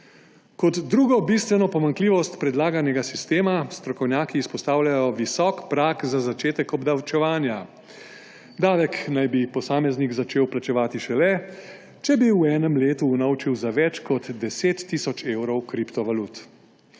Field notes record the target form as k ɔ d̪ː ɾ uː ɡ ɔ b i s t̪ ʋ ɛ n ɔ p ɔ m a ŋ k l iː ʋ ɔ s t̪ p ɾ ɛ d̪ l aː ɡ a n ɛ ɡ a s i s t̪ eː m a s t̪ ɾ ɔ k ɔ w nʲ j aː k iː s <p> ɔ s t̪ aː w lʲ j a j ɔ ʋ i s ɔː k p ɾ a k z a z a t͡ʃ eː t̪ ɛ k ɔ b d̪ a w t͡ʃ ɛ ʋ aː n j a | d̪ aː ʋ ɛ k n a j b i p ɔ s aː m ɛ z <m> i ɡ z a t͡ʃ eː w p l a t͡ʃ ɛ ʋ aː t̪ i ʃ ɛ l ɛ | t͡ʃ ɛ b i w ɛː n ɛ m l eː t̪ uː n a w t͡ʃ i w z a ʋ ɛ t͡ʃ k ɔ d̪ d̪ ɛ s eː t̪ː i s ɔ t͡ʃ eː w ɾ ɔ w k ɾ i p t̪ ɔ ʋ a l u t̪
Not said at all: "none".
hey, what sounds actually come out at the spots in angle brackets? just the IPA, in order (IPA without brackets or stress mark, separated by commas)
p, n